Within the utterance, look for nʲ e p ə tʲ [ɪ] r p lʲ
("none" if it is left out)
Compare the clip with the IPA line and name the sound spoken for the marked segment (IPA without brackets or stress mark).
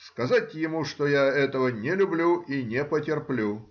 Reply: ɪ